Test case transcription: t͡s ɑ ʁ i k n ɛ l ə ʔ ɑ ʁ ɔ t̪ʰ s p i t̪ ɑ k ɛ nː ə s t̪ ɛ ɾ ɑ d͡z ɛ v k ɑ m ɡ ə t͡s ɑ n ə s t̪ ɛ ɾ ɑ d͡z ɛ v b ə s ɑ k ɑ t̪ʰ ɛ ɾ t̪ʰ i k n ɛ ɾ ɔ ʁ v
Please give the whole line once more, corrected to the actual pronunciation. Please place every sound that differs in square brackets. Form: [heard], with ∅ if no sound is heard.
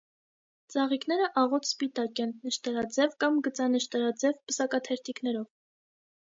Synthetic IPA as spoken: t͡s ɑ ʁ i k n ɛ [ɾ] ə ʔ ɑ ʁ ɔ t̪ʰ s p i t̪ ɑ k ɛ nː ə [ʃ] t̪ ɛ ɾ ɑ d͡z ɛ v k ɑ m ɡ ə t͡s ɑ n ə [ʃ] t̪ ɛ ɾ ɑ d͡z ɛ v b ə s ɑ k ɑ t̪ʰ ɛ ɾ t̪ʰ i k n ɛ ɾ ɔ [∅] v

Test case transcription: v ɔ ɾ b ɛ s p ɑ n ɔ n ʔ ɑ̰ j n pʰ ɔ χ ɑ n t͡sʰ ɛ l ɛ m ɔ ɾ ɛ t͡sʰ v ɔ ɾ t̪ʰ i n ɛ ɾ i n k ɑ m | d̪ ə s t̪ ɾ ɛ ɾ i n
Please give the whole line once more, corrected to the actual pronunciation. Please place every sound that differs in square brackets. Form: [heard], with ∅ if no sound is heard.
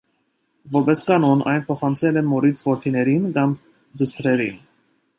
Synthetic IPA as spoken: v ɔ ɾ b ɛ s [k] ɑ n ɔ n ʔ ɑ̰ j n pʰ ɔ χ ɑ n t͡sʰ ɛ l ɛ m ɔ ɾ [i] t͡sʰ v ɔ ɾ t̪ʰ i n ɛ ɾ i n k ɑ m | d̪ ə s t̪ ɾ ɛ ɾ i n

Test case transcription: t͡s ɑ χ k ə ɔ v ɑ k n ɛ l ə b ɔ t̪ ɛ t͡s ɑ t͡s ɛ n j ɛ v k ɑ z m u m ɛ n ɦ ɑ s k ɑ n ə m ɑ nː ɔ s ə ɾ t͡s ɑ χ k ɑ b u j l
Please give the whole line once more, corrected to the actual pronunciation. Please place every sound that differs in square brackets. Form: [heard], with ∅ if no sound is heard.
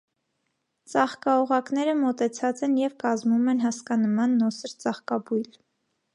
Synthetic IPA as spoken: t͡s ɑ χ k [ɑ] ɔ [ʁ] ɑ k n ɛ [ɾ] ə [m] ɔ t̪ ɛ [t͡sʰ] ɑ t͡s ɛ n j ɛ v k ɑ z m u m ɛ n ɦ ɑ s k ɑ n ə m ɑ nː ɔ s ə ɾ t͡s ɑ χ k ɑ b u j l

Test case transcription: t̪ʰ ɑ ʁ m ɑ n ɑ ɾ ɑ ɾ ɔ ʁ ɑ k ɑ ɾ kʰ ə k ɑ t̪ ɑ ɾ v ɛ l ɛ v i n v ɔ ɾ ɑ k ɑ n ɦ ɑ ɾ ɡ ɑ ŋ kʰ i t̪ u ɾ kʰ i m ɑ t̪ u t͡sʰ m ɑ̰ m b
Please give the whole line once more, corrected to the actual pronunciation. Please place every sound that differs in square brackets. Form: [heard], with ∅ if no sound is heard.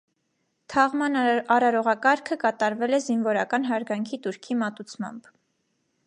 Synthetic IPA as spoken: t̪ʰ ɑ ʁ m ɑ n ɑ ɾ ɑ ɾ ɔ ʁ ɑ k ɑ ɾ kʰ ə k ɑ t̪ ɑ ɾ v ɛ l ɛ [z] i n v ɔ ɾ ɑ k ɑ n ɦ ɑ ɾ ɡ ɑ ŋ kʰ i t̪ u ɾ kʰ i m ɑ t̪ u t͡sʰ m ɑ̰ m b

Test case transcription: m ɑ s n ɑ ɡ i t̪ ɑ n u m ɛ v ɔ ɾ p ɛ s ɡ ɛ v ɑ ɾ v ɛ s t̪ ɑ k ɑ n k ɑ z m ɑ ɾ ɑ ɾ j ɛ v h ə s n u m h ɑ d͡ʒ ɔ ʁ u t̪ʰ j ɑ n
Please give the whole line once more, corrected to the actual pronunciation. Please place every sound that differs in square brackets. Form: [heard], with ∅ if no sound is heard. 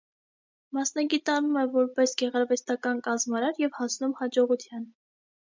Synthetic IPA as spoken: m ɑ s n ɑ ɡ i t̪ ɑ n u m ɛ v ɔ ɾ p ɛ s ɡ ɛ [ʁ] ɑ ɾ v ɛ s t̪ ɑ k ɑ n k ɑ z m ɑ ɾ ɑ ɾ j ɛ v h [ɑ] s n u m h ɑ d͡ʒ ɔ ʁ u t̪ʰ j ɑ n

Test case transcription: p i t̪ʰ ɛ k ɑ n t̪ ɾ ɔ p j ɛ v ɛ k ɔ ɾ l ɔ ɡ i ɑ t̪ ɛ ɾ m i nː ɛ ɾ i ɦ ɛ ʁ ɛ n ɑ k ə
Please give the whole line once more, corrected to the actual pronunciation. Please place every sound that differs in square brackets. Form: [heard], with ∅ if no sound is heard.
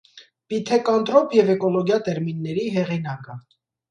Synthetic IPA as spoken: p i t̪ʰ ɛ k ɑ n t̪ ɾ ɔ p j ɛ v ɛ k ɔ [∅] l ɔ ɡ [j] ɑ t̪ ɛ ɾ m i nː ɛ ɾ i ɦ ɛ ʁ [i] n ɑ k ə

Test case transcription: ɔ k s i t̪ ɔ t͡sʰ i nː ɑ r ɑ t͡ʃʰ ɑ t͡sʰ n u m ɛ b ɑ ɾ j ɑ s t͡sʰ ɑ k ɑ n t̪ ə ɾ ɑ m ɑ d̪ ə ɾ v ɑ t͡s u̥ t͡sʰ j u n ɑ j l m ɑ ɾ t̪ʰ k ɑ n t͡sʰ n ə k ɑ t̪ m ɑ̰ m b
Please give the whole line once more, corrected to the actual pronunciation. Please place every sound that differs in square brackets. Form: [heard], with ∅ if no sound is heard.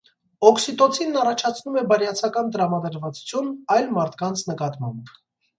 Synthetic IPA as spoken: ɔ k s i t̪ ɔ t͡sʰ i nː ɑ r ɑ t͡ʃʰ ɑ t͡sʰ n u m ɛ b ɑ ɾ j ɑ [∅] t͡sʰ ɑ k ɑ n t̪ ə ɾ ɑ m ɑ d̪ ə ɾ v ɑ t͡s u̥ t͡sʰ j u n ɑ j l m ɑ ɾ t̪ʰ k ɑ n t͡sʰ n ə k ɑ t̪ m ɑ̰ m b

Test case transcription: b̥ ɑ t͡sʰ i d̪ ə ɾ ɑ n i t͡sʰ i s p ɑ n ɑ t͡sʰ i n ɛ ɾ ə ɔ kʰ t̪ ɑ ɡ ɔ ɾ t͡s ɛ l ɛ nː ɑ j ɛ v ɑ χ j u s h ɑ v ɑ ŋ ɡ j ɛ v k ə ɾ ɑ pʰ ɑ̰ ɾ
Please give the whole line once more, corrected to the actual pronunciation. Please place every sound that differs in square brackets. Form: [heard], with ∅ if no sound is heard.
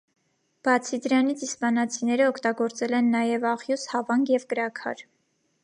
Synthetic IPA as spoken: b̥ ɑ t͡sʰ i d̪ ə ɾ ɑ n i t͡sʰ i s p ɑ n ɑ t͡sʰ i n ɛ ɾ ə ɔ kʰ t̪ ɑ ɡ ɔ ɾ t͡s ɛ l ɛ nː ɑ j ɛ v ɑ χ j u s h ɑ v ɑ ŋ ɡ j ɛ v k ə ɾ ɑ [kʰ] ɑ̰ ɾ

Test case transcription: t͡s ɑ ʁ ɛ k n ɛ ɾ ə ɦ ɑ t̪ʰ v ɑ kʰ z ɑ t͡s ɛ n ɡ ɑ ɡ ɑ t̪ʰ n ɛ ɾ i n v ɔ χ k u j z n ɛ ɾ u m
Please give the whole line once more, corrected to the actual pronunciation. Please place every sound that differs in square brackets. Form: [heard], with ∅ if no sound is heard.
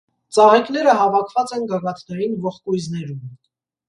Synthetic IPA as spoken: t͡s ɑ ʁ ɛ k n ɛ ɾ ə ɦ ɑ [∅] v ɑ kʰ [v] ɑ t͡s ɛ n ɡ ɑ ɡ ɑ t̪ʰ n ɛ ɾ i n v ɔ χ k u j z n ɛ ɾ u m

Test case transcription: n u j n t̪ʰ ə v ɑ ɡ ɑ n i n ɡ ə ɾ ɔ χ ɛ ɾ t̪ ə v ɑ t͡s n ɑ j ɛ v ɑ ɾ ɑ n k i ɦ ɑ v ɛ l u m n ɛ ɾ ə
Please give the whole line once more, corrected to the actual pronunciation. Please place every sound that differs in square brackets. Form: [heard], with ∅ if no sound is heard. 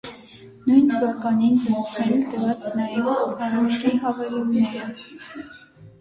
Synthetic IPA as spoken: n u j n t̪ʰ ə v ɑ [k] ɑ n i n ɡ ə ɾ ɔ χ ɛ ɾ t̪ ə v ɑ t͡s n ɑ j ɛ v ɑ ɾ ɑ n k i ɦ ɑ v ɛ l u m n ɛ ɾ ə

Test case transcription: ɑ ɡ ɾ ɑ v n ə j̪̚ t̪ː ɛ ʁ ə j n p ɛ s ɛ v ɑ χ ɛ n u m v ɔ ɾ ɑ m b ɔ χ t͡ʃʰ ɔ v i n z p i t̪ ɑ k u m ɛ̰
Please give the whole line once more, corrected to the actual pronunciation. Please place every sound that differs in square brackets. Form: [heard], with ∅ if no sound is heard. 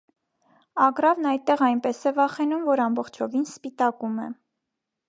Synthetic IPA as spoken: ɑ ɡ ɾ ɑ v n [ɑ] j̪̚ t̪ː ɛ ʁ [ɑ] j n p ɛ s ɛ v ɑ χ ɛ n u m v ɔ ɾ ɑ m b ɔ χ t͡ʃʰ ɔ v i n [s] p i t̪ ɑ k u m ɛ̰

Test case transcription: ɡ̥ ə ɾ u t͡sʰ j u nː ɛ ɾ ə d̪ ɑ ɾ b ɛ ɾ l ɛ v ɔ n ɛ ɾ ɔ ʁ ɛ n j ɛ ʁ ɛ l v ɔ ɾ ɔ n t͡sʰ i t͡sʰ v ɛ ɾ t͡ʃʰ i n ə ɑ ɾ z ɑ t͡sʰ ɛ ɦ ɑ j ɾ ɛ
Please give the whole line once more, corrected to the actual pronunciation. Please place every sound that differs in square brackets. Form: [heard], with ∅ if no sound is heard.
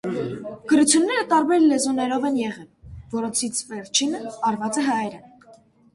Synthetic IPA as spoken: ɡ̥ ə ɾ u t͡sʰ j u nː ɛ ɾ ə [t̪] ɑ ɾ b ɛ ɾ l ɛ [z] ɔ n ɛ ɾ ɔ [v] ɛ n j ɛ ʁ ɛ l v ɔ ɾ ɔ n t͡sʰ i t͡sʰ v ɛ ɾ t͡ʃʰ i n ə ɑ ɾ [v] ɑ [t͡s] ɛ ɦ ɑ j ɾ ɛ

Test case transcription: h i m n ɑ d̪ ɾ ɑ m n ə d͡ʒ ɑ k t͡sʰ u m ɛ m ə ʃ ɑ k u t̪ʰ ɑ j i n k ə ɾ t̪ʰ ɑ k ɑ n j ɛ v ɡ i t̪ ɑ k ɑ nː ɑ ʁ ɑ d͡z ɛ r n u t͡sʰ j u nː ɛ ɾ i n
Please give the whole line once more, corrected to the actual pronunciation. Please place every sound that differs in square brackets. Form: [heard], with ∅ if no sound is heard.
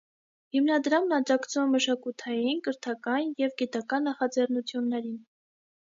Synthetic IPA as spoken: h i m n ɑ d̪ ɾ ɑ m n [ɑ] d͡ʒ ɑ k t͡sʰ u m ɛ m ə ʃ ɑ k u t̪ʰ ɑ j i n k ə ɾ t̪ʰ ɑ k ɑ n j ɛ v ɡ i t̪ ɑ k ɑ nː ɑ [χ] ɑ d͡z ɛ r n u t͡sʰ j u nː ɛ ɾ i n

